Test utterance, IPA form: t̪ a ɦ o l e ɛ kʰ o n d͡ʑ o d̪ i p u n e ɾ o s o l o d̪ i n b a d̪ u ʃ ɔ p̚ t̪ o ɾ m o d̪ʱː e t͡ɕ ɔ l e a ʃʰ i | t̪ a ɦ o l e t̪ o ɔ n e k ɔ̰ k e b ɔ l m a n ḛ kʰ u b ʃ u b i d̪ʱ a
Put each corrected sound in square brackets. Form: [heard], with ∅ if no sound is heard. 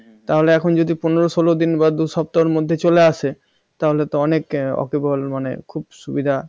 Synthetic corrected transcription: t̪ a ɦ o l e ɛ kʰ o n d͡ʑ o d̪ i p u n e ɾ o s o l o d̪ i n b a d̪ u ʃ ɔ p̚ t̪ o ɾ m o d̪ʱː e t͡ɕ [o] l e a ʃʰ [e] | t̪ a ɦ o l e t̪ o ɔ n e k ɔ̰ k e b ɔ l m a n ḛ kʰ u b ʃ u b i d̪ʱ a